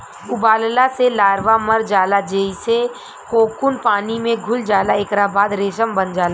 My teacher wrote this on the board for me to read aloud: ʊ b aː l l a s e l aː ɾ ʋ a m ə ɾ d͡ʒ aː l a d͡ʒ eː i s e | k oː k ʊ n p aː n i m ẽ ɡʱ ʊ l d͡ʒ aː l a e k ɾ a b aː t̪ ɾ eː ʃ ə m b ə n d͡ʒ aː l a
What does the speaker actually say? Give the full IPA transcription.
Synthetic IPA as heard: ʊ b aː l l a s e l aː ɾ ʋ a m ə ɾ d͡ʒ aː l a d͡ʒ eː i s e | k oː k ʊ n p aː n i m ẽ ɡʱ ʊ l d͡ʒ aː l a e k ɾ a b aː d̪ ɾ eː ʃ ə m b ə n d͡ʒ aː l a